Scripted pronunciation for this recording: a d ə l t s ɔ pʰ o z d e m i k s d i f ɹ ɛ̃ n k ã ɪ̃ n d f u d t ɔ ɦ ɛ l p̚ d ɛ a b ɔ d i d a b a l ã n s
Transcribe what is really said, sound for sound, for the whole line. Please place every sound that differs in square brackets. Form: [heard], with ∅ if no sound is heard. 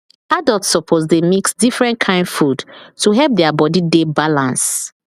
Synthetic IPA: a d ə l t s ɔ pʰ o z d e m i k s d i f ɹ ɛ̃ n [kʰ] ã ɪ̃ n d f u d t [u] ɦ ɛ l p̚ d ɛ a b ɔ d i d [e] b a l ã n s